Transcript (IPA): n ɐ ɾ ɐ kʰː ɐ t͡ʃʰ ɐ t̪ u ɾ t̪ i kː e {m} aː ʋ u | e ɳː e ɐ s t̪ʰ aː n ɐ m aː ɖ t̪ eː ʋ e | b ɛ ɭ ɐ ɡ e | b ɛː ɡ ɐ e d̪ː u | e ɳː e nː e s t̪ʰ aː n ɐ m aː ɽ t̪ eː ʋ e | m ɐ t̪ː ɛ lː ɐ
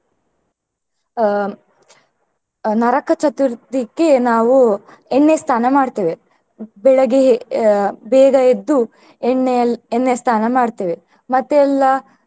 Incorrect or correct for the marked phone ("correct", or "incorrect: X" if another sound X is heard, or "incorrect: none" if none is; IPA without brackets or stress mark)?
incorrect: n